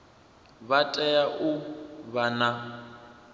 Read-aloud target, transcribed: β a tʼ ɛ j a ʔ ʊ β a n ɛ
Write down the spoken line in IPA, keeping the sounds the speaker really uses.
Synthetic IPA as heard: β a tʼ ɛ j a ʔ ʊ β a n a